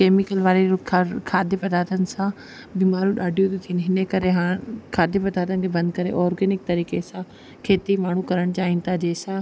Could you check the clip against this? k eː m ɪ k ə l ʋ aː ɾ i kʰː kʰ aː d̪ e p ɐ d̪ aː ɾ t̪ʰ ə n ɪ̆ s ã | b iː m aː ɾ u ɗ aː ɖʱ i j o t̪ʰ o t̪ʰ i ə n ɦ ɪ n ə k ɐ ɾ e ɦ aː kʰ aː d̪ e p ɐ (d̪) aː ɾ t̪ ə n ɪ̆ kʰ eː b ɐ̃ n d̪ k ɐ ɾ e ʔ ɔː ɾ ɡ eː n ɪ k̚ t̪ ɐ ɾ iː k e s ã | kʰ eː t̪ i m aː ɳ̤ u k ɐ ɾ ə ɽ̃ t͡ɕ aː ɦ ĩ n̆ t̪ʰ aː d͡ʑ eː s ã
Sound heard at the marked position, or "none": d̪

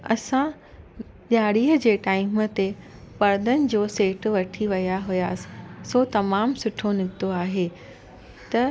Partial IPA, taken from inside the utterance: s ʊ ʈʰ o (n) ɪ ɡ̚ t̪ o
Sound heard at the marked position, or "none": n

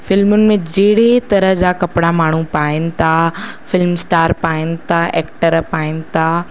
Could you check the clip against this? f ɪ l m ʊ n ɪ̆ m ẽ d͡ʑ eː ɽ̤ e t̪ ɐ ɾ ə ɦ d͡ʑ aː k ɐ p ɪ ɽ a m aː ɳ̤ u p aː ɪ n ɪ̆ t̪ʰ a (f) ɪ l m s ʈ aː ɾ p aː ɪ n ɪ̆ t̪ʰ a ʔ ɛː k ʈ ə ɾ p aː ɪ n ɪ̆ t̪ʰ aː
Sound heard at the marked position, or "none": f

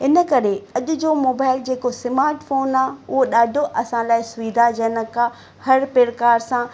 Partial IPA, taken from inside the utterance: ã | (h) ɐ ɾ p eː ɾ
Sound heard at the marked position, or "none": h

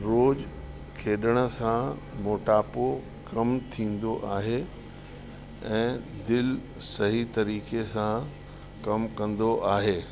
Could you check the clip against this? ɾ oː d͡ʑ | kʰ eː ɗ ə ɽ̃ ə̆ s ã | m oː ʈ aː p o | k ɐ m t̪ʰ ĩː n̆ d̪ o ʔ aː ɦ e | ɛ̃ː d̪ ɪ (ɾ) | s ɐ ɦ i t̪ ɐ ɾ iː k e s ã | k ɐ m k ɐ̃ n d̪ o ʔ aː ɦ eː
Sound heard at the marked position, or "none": l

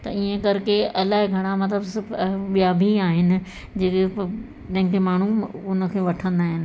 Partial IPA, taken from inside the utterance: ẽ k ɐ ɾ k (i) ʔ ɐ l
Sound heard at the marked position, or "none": e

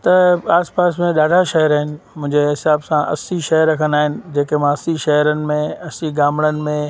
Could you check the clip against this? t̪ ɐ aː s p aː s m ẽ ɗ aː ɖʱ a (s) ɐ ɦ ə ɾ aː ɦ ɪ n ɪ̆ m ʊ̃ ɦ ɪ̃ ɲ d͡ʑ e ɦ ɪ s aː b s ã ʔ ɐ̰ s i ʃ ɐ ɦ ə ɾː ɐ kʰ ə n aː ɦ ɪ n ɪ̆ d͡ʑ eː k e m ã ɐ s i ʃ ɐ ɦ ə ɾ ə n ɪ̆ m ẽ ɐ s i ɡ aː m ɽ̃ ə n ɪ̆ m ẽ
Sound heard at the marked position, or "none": ʃ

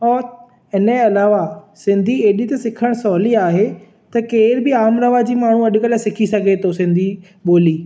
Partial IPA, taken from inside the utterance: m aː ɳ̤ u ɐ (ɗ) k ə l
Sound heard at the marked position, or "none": ɗ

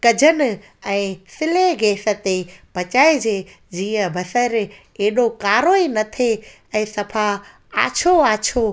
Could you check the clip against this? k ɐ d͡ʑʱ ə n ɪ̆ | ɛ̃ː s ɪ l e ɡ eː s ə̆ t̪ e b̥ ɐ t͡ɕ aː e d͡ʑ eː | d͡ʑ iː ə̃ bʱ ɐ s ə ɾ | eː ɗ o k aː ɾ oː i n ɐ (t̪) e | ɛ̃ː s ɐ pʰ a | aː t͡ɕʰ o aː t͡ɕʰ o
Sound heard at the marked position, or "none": t̪ʰ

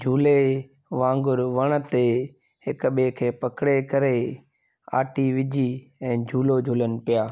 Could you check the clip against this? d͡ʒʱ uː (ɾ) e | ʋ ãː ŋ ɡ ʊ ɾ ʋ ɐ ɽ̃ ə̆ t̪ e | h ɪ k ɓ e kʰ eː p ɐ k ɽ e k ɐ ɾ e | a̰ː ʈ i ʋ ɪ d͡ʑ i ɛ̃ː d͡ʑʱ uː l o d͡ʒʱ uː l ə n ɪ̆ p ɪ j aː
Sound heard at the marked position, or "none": l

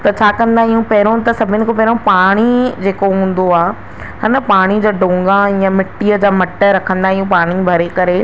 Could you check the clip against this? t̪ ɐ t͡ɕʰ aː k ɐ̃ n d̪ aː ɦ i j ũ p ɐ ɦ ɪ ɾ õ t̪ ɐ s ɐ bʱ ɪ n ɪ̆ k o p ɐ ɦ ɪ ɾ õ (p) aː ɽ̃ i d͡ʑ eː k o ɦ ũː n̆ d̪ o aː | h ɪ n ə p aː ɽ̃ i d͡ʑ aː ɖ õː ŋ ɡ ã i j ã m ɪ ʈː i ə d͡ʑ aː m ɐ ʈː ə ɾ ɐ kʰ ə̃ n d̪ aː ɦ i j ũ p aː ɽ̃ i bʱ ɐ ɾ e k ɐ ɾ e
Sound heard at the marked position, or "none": p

